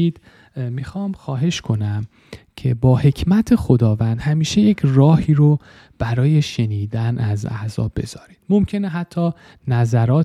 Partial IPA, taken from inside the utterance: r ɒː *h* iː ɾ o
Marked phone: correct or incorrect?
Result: correct